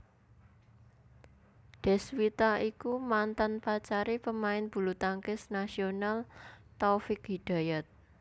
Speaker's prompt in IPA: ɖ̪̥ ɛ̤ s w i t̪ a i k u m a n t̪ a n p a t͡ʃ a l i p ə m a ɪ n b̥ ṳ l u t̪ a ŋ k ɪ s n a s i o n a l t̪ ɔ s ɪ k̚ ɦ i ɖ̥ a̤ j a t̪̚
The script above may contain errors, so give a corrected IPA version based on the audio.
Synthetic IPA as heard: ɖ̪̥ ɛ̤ s w i t̪ a i k u m a n t̪ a n p a t͡ʃ a ɾ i p ə m a ɪ n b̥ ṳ l u t̪ a ŋ k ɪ s n a s i o n a l t̪ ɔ f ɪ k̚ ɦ i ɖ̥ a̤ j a t̪̚